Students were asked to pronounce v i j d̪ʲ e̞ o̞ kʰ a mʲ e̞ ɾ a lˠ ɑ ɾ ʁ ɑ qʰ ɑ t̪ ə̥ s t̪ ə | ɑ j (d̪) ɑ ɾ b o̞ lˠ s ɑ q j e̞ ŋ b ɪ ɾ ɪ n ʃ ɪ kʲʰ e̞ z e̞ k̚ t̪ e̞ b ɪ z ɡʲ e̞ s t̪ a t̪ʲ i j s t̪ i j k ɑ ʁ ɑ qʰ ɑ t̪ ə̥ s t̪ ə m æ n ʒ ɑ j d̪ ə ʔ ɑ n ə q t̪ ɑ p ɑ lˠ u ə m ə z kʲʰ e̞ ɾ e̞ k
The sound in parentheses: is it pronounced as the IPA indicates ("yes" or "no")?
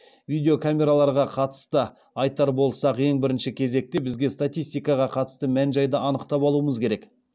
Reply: no